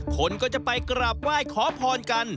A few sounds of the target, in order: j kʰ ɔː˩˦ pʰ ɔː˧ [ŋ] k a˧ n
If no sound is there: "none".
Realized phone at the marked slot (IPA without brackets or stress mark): n